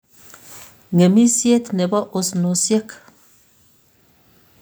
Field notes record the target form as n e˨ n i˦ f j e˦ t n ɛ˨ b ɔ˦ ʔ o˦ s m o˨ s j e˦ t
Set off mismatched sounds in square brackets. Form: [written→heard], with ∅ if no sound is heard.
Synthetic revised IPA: [n→ŋ] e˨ [n→m] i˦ [f→s] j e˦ t n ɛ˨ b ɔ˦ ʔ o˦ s [m→n] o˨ s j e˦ [t→k]